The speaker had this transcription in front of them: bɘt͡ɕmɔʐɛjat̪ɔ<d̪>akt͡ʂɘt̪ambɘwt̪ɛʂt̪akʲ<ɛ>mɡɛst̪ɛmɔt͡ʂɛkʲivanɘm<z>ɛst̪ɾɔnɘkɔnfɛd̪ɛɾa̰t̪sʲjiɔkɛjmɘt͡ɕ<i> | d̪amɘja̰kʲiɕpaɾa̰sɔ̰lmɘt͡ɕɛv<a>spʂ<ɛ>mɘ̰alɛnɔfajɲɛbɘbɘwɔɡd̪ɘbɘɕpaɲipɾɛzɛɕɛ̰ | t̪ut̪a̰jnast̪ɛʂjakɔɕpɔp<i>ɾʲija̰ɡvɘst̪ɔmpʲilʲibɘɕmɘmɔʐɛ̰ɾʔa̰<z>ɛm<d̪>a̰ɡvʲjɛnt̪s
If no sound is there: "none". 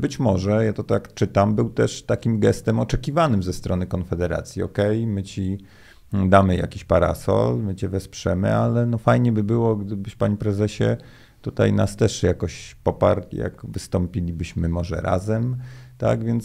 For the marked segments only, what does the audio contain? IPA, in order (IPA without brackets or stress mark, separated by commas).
t̪, i, z, i, ɛ, ɛ, a, z, t̪